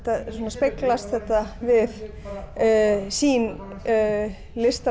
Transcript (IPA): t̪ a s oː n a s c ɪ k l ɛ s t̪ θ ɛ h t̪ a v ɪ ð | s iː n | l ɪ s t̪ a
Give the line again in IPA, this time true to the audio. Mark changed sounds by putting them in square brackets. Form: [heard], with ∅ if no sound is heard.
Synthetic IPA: t̪ a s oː n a s [p] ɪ k l [a] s t̪ θ ɛ h t̪ a v ɪ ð | s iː n | l ɪ s t̪ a

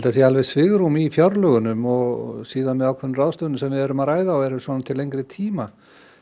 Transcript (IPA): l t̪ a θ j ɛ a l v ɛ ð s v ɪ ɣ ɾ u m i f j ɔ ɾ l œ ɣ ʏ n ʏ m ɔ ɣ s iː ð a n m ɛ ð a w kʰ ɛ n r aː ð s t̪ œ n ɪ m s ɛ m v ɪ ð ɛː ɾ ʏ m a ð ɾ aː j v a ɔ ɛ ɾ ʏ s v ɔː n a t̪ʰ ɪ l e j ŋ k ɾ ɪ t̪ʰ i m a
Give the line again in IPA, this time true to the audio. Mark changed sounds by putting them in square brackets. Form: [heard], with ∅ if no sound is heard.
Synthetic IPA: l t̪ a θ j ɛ a l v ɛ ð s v ɪ ɣ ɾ u m i f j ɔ ɾ l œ ɣ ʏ n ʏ m ɔ ɣ s iː ð a n m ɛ ð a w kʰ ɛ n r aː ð s t̪ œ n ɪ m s ɛ m v ɪ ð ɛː ɾ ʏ m a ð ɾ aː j [ð] a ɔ ɛ ɾ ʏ s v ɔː n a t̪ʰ ɪ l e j ŋ k ɾ ɪ t̪ʰ [iː] m a

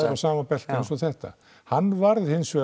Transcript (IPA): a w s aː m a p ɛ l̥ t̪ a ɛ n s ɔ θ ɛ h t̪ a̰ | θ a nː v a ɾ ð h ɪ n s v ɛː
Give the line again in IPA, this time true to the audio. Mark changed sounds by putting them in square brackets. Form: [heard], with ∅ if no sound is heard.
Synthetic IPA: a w s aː m a p ɛ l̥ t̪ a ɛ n s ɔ θ ɛ h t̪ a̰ | [h] a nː v a ɾ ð h ɪ n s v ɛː

